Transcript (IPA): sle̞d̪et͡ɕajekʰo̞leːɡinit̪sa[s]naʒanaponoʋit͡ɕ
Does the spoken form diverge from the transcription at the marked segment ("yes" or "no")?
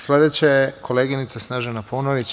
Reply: no